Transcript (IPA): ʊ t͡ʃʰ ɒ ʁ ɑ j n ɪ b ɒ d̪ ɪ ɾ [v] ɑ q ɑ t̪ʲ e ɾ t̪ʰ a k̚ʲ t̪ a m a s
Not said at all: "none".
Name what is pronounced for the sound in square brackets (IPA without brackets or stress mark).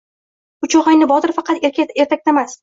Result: f